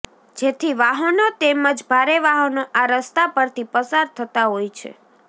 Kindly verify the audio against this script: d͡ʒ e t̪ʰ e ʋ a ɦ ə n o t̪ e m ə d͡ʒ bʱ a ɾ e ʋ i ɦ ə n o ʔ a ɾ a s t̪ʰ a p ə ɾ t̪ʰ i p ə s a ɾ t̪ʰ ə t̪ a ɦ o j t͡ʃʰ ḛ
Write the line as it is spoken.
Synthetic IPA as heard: d͡ʒ e t̪ʰ i ʋ a ɦ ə n o t̪ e m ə d͡ʒ bʱ a ɾ e ʋ a ɦ ə n o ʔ a ɾ ə s t̪ a p ə ɾ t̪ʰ i p ə s a ɾ t̪ʰ ə t̪ a ɦ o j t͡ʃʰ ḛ